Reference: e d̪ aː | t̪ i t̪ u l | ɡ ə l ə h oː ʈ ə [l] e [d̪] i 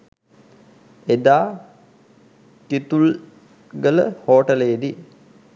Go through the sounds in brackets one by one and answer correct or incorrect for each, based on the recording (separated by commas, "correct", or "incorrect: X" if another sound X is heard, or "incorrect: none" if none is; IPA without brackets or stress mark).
correct, correct